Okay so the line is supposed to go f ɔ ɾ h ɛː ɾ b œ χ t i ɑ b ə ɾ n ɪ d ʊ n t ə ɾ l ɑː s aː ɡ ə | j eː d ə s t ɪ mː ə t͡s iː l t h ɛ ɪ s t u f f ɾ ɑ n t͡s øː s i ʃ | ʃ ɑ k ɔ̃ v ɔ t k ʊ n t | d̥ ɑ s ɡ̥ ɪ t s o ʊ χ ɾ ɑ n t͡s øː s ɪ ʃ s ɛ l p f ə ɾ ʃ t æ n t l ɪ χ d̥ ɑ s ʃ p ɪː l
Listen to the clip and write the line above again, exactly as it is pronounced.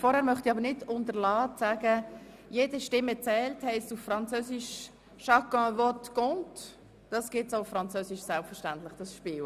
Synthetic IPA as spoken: f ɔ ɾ h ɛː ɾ m œ χ t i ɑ b ə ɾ n ɪ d ʊ n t ə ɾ l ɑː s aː ɡ ə | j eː d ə ʃ t ɪ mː ə t͡s ɛː l t h ɛ ɪ s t u f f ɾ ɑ n t͡s øː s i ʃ | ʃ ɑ k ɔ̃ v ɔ t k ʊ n t | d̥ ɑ s ɡ̥ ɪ t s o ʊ f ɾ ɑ n t͡s øː s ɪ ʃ s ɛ l p f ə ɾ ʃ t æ n t l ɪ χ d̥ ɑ s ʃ p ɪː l